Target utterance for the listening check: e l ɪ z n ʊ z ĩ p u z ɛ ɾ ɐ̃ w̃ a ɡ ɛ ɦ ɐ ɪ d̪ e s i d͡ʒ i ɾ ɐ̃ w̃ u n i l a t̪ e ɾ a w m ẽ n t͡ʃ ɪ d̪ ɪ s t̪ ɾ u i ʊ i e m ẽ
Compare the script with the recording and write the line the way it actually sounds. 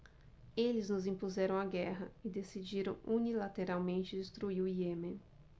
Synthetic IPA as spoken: e l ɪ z n ʊ z ĩ p u z ɛ ɾ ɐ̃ w̃ a ɡ ɛ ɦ ɐ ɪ d̪ e s i d͡ʒ i ɾ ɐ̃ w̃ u n i l a t̪ e ɾ a w m ẽ n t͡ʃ ɪ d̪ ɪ s t̪ ɾ u i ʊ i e m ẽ